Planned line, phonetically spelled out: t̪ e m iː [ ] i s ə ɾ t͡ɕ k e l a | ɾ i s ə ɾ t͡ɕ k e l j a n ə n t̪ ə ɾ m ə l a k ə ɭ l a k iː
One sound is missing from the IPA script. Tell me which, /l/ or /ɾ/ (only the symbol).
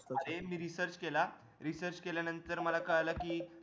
ɾ